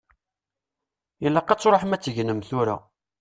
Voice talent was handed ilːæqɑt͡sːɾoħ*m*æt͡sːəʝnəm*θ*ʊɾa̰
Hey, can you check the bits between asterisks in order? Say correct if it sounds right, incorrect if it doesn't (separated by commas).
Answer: correct, correct